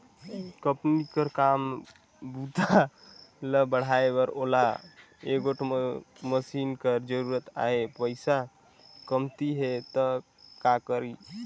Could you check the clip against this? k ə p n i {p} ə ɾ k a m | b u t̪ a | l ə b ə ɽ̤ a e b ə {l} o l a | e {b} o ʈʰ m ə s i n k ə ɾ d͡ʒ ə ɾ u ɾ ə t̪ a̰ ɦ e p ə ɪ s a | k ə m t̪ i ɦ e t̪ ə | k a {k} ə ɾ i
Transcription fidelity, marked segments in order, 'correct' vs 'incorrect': incorrect: k, incorrect: ɾ, incorrect: ɡ, correct

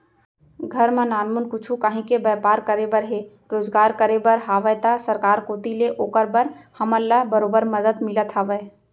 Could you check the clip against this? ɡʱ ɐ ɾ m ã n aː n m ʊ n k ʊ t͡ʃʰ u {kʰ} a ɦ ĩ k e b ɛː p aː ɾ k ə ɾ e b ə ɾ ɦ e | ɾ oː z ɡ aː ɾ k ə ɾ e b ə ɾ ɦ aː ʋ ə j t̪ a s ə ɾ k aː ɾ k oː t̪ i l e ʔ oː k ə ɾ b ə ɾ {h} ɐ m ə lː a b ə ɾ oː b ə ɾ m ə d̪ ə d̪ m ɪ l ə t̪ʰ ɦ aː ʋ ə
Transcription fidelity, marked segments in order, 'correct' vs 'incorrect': incorrect: k, correct

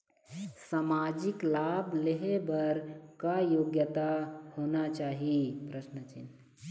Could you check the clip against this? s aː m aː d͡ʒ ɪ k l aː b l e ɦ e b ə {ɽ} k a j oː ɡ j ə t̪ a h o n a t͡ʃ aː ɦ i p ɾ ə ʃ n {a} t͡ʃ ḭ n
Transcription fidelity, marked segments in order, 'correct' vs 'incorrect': incorrect: ɾ, incorrect: ə

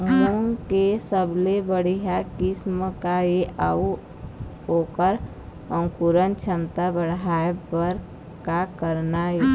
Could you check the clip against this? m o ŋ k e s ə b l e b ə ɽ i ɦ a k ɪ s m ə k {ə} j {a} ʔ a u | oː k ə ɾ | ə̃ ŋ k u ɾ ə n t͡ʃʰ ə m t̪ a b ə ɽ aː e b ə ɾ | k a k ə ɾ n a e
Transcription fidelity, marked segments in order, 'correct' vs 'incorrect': incorrect: a, incorrect: e

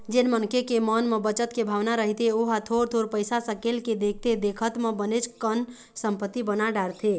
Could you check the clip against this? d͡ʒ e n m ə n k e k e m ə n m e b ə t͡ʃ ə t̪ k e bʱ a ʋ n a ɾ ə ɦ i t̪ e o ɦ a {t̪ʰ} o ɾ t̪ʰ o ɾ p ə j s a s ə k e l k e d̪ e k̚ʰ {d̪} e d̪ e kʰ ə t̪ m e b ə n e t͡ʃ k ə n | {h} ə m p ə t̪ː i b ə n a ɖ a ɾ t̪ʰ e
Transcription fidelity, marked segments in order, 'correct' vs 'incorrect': correct, incorrect: t̪, incorrect: s

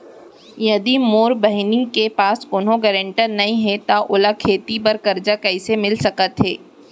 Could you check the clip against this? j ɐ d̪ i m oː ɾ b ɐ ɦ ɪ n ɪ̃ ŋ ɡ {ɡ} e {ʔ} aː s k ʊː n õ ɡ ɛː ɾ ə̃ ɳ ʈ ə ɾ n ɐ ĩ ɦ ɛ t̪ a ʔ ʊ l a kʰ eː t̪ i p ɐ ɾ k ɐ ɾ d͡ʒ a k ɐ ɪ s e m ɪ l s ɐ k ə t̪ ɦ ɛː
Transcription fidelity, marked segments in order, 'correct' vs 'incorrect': incorrect: k, incorrect: p

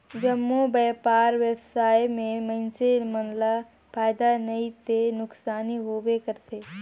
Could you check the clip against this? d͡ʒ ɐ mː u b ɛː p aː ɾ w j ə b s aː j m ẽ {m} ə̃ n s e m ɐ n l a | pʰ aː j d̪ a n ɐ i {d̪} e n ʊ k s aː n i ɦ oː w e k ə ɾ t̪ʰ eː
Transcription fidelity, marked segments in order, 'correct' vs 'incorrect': correct, incorrect: t̪

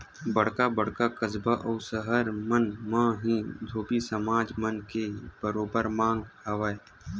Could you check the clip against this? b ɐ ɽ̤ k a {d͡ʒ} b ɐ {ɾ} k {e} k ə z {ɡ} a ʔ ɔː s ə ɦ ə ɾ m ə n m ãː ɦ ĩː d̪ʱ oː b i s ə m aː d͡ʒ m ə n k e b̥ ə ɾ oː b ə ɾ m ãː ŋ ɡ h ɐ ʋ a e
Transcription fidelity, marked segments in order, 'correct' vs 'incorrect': incorrect: none, incorrect: ɽ, incorrect: a, incorrect: b

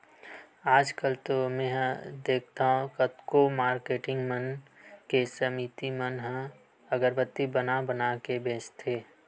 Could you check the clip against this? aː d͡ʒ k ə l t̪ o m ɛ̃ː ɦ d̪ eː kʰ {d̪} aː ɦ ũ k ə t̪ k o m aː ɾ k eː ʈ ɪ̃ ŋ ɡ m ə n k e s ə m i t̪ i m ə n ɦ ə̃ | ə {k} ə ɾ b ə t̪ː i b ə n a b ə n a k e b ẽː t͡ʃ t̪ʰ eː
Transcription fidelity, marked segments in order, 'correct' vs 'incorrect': incorrect: t̪, incorrect: ɡ

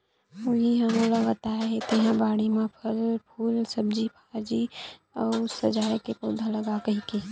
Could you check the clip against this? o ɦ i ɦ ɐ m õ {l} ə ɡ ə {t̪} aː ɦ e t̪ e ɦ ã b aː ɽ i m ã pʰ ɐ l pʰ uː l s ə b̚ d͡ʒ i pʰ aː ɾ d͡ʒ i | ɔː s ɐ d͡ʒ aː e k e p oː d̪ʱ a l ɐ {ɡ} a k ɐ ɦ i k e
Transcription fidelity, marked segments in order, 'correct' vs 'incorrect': correct, correct, correct

